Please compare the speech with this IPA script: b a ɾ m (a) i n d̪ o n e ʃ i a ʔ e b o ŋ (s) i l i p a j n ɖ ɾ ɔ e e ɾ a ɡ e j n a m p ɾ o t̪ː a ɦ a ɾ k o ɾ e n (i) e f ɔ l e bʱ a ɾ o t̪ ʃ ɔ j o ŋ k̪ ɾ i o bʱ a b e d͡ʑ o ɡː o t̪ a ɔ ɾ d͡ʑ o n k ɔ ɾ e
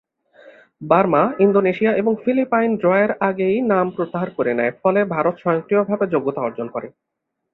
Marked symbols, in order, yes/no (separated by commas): yes, no, no